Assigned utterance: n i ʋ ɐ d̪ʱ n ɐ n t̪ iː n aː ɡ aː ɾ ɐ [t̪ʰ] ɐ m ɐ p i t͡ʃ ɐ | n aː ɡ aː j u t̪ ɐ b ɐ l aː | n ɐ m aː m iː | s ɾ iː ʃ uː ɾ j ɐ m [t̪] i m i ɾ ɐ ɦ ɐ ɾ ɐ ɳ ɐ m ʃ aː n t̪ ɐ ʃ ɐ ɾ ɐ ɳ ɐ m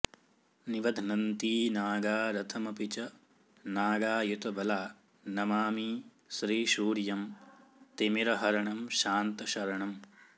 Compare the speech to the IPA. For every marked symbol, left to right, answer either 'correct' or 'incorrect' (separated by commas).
correct, correct